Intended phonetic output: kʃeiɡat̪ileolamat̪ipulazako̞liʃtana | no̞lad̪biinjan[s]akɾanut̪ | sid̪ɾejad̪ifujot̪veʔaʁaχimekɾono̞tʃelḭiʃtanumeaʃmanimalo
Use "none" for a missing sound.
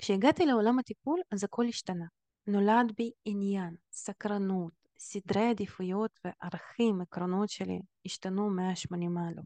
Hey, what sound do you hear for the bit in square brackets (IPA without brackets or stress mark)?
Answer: s